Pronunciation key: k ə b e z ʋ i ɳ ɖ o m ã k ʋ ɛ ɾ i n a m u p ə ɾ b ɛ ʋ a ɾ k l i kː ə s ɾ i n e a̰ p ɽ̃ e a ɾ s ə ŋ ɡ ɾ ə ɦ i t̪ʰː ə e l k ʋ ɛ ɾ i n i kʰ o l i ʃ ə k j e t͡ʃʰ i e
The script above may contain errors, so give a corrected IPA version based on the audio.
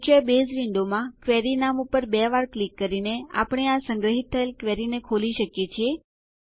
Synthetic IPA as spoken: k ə b e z ʋ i ɳ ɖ o m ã k ʋ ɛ ɾ i n a m u p ə ɾ b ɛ ʋ a ɾ k l i kː ə ɾ i n e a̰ p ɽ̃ e a s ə ŋ ɡ ɾ ə ɦ i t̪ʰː ə e l k ʋ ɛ ɾ i n e kʰ o l i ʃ ə k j e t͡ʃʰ i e